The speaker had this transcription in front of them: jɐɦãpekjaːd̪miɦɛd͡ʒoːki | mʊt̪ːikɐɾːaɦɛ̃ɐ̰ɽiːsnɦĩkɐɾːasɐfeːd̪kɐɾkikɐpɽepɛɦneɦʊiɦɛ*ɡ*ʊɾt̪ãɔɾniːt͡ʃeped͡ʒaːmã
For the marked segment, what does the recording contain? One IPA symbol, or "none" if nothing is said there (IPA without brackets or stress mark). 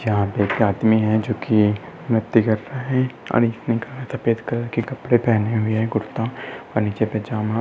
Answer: ɡ